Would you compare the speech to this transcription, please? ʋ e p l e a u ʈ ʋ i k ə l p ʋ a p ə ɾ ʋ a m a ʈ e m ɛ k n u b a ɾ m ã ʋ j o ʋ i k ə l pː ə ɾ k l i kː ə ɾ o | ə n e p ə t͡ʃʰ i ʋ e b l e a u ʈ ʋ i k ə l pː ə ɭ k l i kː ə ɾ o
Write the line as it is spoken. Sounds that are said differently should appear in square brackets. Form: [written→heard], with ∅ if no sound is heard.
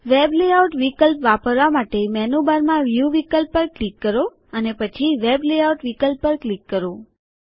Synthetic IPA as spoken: ʋ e [p→b] l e a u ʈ ʋ i k ə l p ʋ a p ə ɾ ʋ a m a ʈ e m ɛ [k→∅] n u b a ɾ m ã ʋ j [o→u] ʋ i k ə l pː ə ɾ k l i kː ə ɾ o | ə n e p ə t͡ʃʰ i ʋ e b l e a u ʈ ʋ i k ə l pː ə [ɭ→ɾ] k l i kː ə ɾ o